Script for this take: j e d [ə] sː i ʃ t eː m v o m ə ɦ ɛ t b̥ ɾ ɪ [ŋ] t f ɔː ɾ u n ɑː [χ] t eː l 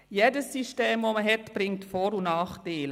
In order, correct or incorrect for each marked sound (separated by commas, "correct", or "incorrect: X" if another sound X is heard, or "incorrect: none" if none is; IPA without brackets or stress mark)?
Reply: correct, correct, correct